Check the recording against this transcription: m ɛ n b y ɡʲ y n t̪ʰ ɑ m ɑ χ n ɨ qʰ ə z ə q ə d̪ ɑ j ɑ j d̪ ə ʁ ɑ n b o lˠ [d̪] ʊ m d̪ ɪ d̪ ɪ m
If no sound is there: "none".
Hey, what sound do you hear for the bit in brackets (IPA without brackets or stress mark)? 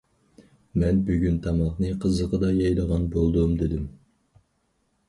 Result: d̪